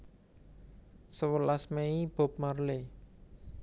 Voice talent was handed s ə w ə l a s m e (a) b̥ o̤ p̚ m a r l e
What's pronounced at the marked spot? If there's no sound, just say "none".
i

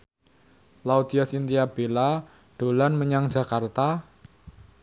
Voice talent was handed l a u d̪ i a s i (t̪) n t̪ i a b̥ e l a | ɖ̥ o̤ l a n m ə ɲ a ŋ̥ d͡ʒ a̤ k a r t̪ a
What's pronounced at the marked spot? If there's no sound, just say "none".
none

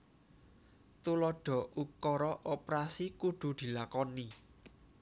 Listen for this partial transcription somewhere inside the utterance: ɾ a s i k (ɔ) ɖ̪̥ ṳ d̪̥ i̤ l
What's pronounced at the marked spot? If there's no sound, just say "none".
u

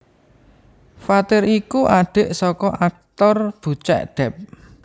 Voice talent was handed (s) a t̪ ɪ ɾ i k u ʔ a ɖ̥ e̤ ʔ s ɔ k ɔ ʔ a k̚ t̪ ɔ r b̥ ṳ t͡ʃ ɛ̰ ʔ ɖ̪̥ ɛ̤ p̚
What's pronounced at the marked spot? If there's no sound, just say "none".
f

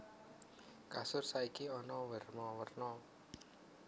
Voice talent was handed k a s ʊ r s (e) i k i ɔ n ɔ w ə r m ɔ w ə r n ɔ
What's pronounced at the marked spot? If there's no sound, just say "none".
a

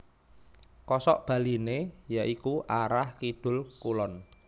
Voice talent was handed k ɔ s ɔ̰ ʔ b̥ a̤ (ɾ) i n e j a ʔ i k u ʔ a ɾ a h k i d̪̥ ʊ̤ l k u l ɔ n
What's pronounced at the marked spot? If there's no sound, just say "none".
l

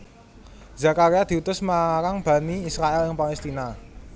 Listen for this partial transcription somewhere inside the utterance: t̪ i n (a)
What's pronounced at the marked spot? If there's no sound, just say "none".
a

